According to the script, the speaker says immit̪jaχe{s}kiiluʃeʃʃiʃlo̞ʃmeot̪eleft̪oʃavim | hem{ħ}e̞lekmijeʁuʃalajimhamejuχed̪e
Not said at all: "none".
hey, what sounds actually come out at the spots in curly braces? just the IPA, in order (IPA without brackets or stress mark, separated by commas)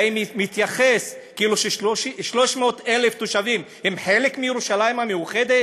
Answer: s, ħ